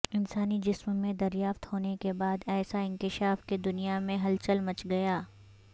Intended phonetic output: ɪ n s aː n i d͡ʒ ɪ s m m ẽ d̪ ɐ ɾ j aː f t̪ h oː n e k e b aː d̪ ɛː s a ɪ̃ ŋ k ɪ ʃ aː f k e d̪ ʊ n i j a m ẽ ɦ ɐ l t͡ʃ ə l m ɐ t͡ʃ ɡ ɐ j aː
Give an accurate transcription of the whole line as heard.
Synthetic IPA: ɪ n s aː n i d͡ʒ ɪ s m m ẽ d̪ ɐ ɾ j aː f t̪ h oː n e k e b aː d̪ ɛː s a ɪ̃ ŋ k ɪ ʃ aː f k e d̪ ʊ n i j a m ẽ ɦ ɐ l t͡ʃ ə l m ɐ t͡ʃ ɡ ɐ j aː